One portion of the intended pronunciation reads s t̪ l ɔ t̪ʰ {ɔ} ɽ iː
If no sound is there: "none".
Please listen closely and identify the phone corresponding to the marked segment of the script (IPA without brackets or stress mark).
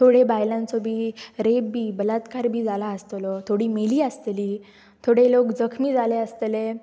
o